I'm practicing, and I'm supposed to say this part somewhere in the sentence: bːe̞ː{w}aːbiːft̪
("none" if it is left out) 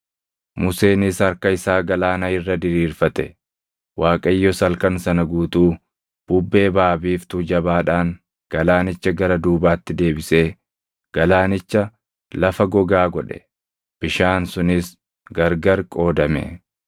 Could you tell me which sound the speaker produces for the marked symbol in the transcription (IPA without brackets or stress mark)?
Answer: b